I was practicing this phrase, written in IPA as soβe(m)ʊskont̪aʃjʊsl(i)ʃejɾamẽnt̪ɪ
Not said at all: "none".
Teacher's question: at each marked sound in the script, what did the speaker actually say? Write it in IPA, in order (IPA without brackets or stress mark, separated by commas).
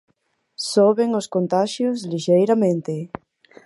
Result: ŋ, i